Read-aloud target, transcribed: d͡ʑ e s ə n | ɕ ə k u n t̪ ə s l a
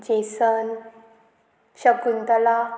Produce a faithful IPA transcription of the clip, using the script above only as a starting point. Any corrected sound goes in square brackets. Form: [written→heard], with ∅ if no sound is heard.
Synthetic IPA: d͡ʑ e s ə n | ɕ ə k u n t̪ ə [s→∅] l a

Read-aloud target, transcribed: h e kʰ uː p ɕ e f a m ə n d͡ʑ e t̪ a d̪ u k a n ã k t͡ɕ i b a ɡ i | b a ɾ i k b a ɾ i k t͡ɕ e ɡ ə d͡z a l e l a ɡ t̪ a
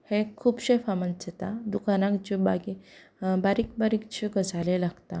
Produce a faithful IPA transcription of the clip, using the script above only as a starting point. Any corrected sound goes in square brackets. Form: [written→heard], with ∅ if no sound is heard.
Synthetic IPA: h e kʰ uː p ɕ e f a m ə n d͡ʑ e t̪ a d̪ u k a n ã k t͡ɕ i b a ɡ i | b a ɾ i k b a ɾ i k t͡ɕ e ɡ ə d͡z a l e l a ɡ t̪ a

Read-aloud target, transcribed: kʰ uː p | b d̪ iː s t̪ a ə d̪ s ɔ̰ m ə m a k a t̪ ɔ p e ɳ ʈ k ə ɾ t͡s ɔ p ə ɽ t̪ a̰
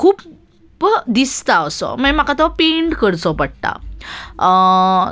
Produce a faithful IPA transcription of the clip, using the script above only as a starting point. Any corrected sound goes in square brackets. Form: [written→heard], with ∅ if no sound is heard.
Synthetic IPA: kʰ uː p | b d̪ [iː→i] s t̪ a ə [d̪→∅] s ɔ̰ m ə m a k a t̪ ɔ p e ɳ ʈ k ə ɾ t͡s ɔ p ə ɽ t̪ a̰

